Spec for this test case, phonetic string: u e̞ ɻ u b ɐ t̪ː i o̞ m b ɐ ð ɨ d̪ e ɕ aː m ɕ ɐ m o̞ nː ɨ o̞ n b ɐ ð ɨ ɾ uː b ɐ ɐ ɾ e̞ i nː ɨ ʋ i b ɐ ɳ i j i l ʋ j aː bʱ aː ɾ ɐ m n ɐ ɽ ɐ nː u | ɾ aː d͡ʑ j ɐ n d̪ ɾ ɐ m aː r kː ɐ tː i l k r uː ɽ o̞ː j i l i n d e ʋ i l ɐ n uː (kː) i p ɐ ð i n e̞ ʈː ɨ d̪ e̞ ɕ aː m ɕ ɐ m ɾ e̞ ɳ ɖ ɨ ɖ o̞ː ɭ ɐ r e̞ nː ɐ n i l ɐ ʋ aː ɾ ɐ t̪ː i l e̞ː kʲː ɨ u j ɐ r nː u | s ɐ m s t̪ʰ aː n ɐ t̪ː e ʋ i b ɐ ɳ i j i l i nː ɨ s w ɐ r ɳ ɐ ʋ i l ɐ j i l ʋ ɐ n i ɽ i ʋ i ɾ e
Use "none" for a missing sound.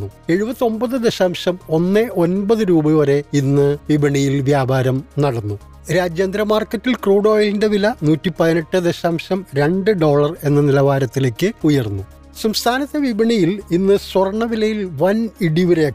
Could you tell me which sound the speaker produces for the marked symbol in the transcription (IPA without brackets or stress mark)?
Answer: tː